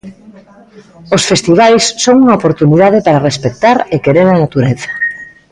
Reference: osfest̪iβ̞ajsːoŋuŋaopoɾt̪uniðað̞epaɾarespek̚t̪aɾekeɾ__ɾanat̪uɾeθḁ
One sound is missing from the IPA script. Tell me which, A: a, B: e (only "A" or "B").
B